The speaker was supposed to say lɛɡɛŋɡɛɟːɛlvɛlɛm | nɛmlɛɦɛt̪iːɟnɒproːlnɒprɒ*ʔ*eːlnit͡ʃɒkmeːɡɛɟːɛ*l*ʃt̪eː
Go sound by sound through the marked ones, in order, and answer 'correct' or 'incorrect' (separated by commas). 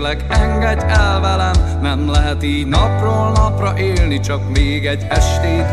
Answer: correct, incorrect